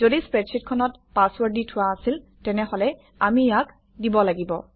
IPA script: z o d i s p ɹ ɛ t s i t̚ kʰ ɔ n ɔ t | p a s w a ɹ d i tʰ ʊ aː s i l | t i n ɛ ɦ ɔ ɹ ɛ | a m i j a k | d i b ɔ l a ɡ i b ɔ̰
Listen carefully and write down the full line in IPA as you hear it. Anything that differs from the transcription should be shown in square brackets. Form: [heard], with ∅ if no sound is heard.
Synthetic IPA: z o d i s p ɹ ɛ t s i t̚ kʰ ɔ n ɔ t | p a s w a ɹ d i tʰ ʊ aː s i l | t [ɛ] n ɛ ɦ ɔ [l] ɛ | a m i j a k | d i b ɔ l a ɡ i b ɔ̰